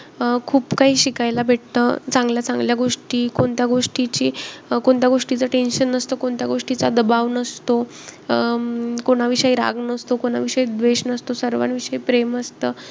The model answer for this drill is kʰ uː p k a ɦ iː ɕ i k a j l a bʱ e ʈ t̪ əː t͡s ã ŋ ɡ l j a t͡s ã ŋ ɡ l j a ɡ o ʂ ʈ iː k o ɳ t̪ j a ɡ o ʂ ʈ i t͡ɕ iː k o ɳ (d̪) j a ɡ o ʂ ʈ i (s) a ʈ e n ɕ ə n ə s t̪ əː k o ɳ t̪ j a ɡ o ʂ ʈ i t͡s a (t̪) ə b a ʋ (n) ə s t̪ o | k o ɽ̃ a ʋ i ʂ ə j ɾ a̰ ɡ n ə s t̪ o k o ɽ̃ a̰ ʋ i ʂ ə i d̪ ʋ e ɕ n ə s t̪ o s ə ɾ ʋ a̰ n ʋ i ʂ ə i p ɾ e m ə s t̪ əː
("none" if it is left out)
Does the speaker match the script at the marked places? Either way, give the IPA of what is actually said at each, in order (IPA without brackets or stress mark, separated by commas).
t̪, t͡s, d̪, n